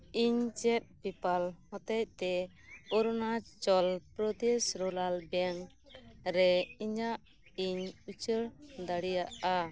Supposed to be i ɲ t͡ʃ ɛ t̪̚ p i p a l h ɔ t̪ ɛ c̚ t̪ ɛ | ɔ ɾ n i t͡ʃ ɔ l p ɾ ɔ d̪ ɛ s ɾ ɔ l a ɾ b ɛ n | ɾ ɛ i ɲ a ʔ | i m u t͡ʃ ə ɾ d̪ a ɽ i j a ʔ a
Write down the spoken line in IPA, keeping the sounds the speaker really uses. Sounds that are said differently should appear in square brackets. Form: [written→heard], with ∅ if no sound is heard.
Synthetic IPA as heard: i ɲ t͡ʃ ɛ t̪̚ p i p a l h ɔ t̪ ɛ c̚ t̪ ɛ | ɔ ɾ n [i→a] t͡ʃ ɔ l p ɾ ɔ d̪ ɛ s ɾ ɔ l a [ɾ→l] b ɛ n | ɾ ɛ i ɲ a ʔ | i [m→ɲ] u t͡ʃ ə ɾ d̪ a ɽ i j a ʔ a